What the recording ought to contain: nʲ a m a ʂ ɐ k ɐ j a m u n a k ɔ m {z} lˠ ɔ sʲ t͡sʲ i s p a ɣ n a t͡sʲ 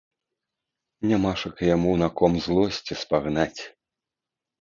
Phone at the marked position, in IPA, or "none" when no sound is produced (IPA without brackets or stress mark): z